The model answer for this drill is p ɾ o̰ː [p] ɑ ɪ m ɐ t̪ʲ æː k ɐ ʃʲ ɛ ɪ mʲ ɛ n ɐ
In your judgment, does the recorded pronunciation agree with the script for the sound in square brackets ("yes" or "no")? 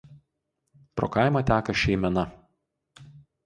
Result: no